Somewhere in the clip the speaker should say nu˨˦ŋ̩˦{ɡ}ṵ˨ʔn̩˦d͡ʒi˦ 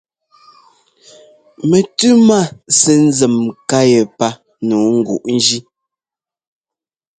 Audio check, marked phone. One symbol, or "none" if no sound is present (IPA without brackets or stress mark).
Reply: ɡ